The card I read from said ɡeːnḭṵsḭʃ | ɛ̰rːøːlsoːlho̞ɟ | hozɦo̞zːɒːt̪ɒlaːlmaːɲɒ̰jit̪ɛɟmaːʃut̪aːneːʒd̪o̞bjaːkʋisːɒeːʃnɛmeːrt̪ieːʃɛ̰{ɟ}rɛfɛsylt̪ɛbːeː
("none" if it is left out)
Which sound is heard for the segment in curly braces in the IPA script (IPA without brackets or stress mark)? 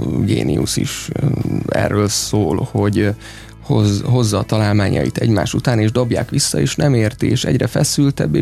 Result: ɟ